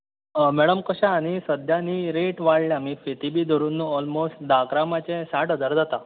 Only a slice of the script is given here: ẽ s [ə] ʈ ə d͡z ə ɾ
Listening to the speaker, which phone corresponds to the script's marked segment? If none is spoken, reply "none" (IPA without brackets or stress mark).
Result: a